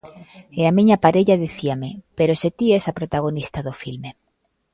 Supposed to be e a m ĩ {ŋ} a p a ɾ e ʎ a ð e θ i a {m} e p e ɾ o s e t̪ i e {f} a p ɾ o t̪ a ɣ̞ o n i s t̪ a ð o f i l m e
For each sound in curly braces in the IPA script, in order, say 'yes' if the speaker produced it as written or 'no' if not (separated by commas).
no, yes, no